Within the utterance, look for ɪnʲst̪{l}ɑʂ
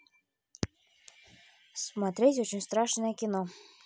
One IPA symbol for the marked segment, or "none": ɾ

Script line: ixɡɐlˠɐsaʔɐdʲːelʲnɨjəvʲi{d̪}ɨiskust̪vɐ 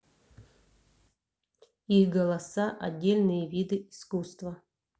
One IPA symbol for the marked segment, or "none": d̪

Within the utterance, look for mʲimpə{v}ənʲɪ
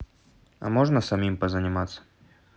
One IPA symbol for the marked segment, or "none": z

